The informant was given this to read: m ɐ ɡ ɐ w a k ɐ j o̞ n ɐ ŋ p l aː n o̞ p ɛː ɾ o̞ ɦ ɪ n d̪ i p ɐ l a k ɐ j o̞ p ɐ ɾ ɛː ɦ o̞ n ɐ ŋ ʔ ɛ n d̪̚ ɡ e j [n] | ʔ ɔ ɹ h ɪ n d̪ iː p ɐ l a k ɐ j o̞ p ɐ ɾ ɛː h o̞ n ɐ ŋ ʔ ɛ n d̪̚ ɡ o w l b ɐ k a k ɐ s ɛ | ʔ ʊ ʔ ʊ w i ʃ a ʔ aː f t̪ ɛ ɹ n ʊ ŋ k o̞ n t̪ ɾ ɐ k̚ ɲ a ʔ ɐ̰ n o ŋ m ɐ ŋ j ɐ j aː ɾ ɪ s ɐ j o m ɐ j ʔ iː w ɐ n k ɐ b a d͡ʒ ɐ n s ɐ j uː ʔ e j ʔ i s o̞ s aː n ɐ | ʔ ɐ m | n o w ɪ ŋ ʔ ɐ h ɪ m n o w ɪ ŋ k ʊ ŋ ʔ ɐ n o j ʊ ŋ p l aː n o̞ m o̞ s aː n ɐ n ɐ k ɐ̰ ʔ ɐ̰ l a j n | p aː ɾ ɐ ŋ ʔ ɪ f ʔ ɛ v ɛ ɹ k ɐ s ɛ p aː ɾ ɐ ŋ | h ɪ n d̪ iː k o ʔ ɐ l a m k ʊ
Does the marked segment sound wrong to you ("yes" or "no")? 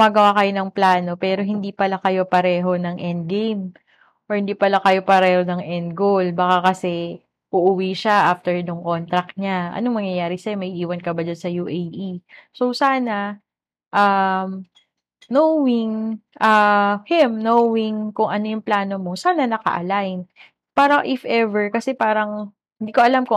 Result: yes